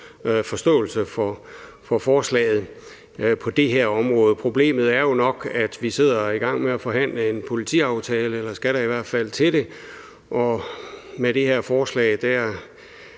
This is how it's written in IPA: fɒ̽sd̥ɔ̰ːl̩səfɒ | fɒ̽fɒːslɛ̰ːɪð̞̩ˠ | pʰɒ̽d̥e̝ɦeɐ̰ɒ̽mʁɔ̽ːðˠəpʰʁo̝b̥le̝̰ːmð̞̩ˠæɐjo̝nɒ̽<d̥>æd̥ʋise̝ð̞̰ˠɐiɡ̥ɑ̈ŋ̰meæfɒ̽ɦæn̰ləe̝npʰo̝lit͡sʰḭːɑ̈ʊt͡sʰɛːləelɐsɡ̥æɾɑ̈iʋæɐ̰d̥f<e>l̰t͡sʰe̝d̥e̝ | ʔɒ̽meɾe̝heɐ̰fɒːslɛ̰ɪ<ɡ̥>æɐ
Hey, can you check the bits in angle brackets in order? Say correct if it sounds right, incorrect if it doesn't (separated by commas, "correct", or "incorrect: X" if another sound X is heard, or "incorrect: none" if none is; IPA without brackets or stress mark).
incorrect: ɡ̥, incorrect: æ, incorrect: d̥